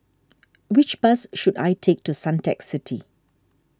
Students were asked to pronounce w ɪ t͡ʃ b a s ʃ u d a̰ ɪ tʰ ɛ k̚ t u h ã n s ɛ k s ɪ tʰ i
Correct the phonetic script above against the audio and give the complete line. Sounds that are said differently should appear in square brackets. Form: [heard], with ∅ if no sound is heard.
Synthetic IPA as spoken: w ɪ t͡ʃ b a s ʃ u d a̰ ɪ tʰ [e] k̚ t u [s] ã n [t] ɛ k s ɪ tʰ i